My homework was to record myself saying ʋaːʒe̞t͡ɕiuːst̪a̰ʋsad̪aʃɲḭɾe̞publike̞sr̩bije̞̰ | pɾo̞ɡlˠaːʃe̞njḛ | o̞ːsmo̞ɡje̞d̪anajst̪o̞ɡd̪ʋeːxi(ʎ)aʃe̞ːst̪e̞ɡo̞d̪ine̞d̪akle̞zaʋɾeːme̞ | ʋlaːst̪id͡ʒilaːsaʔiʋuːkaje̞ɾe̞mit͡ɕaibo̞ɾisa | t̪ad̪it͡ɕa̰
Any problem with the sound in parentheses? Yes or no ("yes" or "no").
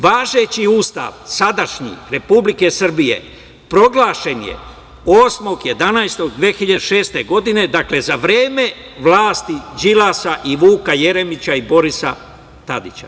no